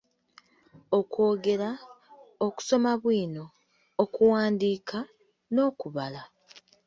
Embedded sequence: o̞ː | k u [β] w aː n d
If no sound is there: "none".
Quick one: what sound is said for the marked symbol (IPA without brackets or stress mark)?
none